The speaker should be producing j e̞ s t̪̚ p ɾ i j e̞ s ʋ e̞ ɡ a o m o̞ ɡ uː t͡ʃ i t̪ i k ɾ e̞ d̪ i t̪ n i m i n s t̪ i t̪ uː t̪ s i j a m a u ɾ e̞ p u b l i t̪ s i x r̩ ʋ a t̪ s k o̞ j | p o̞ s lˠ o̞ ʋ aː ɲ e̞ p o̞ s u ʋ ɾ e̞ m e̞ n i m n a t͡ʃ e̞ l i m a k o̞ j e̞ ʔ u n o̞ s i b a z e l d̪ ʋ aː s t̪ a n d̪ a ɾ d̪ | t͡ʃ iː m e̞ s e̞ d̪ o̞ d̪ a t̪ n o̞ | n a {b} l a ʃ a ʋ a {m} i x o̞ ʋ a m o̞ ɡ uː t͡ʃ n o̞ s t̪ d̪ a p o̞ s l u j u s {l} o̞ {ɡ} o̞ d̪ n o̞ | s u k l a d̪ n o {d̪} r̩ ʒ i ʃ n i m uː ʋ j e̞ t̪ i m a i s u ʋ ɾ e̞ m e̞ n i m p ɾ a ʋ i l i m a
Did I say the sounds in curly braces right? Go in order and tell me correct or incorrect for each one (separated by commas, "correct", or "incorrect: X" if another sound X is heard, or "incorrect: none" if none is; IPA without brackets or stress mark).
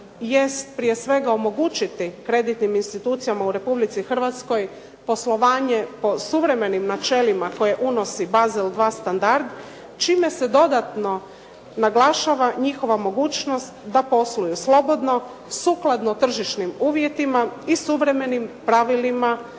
incorrect: ɡ, incorrect: ɲ, correct, incorrect: b, incorrect: t̪